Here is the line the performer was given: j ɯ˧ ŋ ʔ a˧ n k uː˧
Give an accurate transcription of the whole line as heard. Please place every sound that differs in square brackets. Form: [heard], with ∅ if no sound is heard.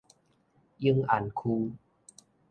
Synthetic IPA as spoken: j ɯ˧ ŋ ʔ [a˨˩] n [kʰ] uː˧